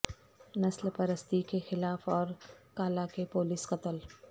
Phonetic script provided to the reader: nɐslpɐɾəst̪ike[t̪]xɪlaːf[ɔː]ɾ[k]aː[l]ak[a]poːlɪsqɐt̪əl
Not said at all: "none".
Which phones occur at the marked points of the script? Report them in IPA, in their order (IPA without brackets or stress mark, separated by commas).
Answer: none, ɔː, k, l, e